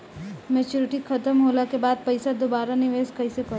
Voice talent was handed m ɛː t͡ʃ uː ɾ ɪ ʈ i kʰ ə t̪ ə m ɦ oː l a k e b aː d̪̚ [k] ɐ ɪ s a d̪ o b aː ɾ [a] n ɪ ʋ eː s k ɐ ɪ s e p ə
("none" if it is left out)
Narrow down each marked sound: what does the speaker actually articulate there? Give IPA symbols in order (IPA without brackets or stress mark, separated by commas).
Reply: p, a